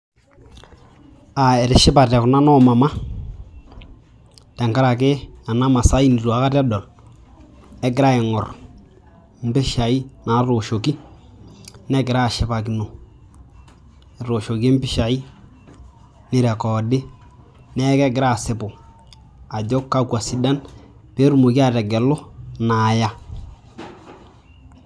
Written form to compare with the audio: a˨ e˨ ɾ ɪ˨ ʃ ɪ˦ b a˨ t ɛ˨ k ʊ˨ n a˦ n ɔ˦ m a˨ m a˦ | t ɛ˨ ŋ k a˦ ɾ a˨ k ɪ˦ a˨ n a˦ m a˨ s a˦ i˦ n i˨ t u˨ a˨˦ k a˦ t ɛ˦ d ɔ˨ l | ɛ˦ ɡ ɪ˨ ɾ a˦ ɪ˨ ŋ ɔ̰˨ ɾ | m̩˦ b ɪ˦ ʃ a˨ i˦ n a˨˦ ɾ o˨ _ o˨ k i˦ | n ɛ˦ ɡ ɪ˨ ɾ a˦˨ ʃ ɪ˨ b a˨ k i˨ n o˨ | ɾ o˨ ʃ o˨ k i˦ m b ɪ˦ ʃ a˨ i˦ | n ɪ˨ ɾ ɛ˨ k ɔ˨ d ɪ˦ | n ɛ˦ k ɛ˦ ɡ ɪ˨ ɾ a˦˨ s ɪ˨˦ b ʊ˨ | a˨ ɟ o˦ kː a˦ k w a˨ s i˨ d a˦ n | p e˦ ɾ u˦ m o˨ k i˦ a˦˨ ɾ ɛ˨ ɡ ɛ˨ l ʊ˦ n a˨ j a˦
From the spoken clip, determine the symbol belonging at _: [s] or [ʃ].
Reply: ʃ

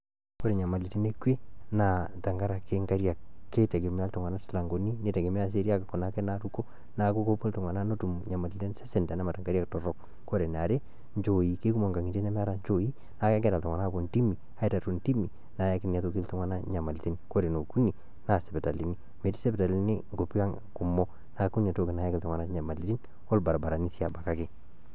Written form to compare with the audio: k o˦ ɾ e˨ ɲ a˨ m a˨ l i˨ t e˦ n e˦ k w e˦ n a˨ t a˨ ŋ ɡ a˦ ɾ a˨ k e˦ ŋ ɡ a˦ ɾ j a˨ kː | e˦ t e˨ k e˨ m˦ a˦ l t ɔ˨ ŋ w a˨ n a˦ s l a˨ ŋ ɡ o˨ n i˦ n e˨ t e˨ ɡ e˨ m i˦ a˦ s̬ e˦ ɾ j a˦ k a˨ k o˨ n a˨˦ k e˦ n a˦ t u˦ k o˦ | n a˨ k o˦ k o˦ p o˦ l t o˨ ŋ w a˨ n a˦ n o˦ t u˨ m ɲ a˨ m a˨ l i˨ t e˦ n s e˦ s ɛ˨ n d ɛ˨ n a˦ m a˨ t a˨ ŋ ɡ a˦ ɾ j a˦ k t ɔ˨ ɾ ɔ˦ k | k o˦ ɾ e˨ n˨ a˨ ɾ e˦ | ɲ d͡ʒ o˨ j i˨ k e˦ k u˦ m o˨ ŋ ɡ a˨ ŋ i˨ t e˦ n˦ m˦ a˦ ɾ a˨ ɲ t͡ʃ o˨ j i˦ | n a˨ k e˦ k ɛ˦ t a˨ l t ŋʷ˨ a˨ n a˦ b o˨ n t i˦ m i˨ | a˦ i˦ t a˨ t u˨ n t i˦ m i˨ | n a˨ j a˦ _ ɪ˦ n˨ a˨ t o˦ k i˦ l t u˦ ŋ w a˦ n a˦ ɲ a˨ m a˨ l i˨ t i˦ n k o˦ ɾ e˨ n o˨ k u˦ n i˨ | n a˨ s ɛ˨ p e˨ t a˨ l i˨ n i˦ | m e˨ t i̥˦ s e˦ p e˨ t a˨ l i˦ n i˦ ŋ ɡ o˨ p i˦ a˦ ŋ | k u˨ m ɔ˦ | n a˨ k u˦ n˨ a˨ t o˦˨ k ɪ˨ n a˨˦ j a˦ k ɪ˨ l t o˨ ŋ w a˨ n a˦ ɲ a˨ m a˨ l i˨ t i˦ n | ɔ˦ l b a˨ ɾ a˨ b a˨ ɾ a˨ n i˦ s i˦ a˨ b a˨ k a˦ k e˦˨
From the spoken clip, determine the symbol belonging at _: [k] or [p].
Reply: k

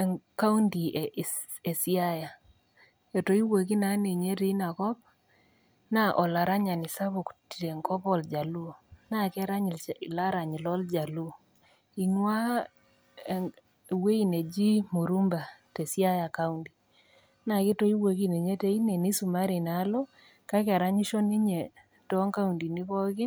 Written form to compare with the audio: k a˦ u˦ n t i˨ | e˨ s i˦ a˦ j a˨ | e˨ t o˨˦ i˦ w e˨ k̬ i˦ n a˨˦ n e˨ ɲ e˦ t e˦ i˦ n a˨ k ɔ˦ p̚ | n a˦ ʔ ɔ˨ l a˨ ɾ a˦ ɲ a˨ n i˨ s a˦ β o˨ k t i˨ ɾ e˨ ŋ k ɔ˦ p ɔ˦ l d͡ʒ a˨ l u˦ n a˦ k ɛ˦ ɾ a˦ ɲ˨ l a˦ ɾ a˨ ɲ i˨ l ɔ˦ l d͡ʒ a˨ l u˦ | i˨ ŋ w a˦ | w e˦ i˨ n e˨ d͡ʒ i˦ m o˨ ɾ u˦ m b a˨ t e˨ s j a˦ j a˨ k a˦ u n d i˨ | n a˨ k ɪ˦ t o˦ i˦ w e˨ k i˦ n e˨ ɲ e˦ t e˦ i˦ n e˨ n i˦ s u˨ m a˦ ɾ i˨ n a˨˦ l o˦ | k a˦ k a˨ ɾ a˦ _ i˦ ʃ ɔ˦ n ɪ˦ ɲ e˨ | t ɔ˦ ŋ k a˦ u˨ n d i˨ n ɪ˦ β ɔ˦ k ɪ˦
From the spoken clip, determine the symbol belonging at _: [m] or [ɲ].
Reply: ɲ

